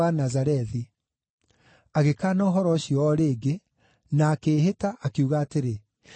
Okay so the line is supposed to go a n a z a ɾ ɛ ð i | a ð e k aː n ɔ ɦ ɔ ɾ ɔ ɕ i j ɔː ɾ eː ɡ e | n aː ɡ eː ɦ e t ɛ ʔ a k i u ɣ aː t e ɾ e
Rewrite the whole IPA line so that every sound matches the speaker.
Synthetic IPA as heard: a n a z a ɾ ɛ ð i | a ɣ e k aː n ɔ ɦ ɔ ɾ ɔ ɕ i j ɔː ɾ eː ɡ e | n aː k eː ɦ e t a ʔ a k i u ɣ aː t e ɾ e

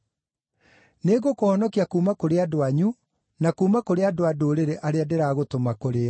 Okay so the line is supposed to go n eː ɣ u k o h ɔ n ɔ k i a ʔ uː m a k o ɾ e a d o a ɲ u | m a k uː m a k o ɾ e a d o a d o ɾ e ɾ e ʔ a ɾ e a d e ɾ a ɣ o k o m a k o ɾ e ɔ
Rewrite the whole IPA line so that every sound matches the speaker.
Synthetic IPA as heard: n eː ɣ o k o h ɔ n ɔ k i a k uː m a k o ɾ e a d o a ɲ u | n a k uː m a k o ɾ e a d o a d o ɾ e ɾ e ʔ a ɾ e a d e ɾ a ɣ o t o m a k o ɾ e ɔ

